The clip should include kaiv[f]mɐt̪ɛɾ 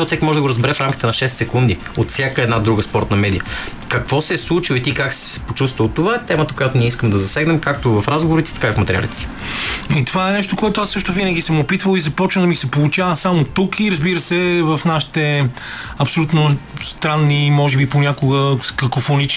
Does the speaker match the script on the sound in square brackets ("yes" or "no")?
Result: yes